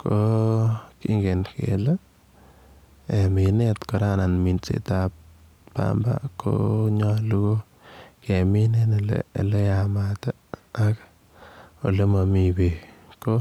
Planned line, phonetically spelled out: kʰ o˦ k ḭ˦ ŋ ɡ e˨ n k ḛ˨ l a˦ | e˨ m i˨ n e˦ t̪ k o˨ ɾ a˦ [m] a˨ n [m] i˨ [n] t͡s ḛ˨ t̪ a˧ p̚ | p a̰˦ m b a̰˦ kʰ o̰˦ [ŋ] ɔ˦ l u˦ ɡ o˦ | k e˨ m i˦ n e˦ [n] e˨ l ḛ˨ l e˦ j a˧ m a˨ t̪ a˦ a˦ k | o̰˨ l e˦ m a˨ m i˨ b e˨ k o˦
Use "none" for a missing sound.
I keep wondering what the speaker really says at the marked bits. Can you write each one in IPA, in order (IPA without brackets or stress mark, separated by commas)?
n, m, n, ɲ, n